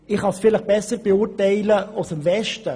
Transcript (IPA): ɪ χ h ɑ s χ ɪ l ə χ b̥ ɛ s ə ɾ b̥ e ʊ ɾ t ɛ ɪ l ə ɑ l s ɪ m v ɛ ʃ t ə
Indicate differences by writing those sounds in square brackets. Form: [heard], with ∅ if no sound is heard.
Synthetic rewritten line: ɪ χ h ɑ s [f] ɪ l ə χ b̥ ɛ s ə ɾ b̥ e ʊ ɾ t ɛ ɪ l ə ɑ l s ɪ m v ɛ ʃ t ə